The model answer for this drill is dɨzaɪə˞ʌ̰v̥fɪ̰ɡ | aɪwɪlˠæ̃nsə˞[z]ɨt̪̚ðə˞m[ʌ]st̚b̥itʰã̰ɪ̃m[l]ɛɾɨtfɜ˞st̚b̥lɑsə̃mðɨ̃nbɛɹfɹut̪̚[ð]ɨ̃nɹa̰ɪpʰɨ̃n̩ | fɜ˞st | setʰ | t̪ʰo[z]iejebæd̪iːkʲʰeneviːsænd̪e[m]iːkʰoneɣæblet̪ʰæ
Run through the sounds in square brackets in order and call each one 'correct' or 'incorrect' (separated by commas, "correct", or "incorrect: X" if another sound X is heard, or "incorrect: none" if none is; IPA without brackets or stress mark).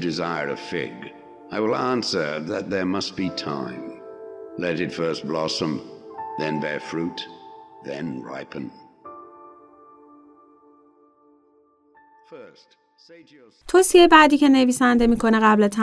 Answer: incorrect: ð, correct, correct, correct, incorrect: s, correct